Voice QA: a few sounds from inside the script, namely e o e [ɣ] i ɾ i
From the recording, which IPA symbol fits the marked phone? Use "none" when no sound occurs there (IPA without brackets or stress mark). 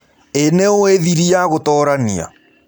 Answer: ð